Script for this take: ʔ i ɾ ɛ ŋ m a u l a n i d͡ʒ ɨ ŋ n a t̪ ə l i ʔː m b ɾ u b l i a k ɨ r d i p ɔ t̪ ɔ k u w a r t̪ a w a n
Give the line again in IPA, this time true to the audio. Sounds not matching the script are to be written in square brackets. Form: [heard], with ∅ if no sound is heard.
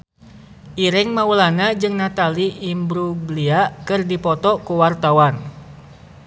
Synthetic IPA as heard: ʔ i ɾ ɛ ŋ m a u l a n [a] d͡ʒ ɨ ŋ n a t̪ [a] l i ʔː m b ɾ u b l i a k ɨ r d i p ɔ t̪ ɔ k u w a r t̪ a w a n